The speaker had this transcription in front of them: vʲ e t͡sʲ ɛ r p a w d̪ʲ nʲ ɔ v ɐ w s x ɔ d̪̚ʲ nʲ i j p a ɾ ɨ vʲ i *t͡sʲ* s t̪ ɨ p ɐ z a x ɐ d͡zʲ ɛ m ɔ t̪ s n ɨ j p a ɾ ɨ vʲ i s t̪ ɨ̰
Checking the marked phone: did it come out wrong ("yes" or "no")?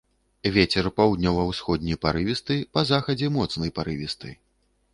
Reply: yes